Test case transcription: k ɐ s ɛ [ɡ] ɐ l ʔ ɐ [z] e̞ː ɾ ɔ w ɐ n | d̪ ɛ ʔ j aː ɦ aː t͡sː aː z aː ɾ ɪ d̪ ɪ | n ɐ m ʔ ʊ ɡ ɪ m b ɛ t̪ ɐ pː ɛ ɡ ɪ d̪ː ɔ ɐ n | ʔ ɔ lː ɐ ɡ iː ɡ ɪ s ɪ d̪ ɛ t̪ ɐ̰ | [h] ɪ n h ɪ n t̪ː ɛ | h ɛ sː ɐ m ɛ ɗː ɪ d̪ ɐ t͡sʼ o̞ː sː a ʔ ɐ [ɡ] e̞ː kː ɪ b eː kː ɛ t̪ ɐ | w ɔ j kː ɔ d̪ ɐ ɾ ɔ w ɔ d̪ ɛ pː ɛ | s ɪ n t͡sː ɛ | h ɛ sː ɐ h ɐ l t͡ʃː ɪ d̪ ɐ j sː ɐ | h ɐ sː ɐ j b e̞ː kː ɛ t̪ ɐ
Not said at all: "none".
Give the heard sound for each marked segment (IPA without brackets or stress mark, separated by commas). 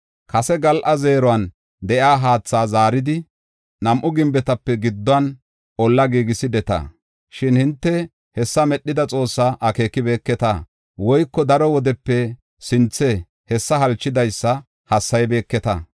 ɡ, z, ʃ, k